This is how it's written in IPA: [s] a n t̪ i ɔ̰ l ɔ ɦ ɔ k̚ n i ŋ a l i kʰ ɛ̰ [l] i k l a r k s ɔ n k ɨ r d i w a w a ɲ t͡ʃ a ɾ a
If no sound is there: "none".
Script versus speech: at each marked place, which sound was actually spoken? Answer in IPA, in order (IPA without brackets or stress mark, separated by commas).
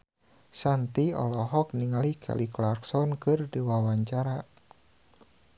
s, l